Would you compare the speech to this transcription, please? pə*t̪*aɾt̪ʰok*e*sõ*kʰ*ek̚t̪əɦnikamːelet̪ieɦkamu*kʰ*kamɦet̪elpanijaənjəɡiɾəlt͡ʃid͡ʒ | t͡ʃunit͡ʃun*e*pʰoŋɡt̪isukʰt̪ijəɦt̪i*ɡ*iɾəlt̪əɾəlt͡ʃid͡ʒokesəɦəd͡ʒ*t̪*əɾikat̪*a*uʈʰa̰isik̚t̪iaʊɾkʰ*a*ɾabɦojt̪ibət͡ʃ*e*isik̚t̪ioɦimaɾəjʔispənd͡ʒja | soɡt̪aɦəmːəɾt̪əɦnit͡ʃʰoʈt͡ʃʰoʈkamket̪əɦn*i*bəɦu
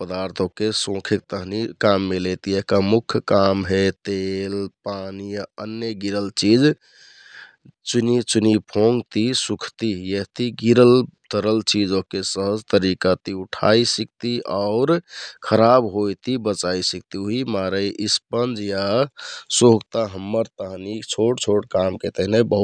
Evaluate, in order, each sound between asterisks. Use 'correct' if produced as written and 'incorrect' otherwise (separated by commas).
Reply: incorrect, correct, correct, correct, incorrect, correct, correct, incorrect, incorrect, incorrect, incorrect